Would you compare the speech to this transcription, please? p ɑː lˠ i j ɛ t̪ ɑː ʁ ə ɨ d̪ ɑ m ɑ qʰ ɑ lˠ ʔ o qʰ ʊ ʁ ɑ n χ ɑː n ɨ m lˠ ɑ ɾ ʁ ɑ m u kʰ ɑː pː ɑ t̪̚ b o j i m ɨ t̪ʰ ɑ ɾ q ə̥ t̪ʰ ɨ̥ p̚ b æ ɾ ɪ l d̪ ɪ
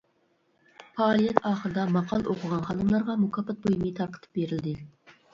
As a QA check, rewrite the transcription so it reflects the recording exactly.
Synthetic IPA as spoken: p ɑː lˠ i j ɛ t̪ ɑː χ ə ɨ d̪ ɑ m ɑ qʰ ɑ lˠ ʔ o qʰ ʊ ʁ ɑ n χ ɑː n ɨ m lˠ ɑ ɾ ʁ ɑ m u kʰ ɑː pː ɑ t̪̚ b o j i m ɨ t̪ʰ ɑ ɾ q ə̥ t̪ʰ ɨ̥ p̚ b e ɾ ɪ l d̪ ɪ